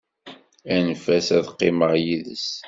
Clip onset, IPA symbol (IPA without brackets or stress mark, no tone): æ